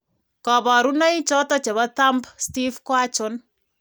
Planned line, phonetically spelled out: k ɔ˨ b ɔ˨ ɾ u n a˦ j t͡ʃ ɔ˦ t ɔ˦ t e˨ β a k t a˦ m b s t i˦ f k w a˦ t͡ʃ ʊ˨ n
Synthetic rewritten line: k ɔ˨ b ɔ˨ ɾ u n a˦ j t͡ʃ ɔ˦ t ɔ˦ t͡ʃ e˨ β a t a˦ m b s t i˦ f k w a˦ t͡ʃ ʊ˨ n